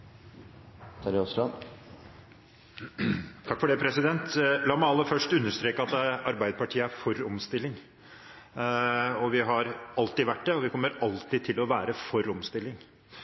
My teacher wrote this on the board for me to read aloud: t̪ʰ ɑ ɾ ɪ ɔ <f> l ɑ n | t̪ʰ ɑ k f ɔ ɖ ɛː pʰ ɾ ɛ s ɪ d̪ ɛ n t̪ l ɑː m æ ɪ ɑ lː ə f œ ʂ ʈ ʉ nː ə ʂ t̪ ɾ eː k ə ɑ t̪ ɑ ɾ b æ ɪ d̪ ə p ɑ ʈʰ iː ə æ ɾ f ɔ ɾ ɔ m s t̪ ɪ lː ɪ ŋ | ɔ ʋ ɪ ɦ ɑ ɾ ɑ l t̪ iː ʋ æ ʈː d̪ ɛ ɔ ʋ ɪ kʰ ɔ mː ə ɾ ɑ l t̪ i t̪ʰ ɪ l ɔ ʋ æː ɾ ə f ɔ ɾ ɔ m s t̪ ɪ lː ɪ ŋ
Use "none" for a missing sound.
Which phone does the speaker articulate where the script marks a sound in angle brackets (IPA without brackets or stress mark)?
s